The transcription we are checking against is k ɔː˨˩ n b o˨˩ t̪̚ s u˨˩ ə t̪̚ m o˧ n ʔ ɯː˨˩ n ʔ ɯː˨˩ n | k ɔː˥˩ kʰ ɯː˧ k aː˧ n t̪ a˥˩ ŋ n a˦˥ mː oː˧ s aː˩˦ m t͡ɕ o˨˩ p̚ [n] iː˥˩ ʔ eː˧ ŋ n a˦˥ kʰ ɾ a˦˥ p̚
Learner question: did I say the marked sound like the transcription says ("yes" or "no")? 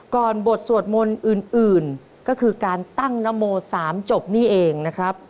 yes